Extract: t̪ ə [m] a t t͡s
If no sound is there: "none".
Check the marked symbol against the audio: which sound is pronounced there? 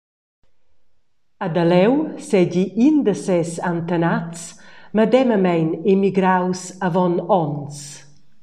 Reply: n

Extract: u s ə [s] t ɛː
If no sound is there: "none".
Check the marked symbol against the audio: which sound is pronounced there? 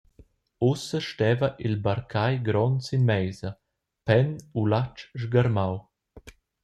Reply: ʃ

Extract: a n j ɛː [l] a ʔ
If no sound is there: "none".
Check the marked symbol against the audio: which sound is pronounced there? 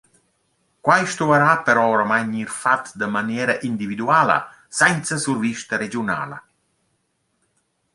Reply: ɾ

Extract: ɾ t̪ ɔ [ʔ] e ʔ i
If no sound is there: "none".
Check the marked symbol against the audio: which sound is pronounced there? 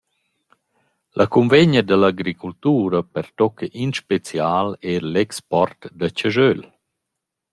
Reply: k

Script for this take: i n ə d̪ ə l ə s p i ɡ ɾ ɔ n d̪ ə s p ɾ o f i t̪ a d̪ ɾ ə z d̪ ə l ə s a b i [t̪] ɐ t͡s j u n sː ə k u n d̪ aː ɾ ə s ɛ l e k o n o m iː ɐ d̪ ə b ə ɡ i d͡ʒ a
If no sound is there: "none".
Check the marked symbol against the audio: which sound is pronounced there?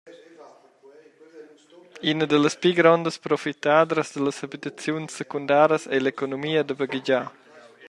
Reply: t̪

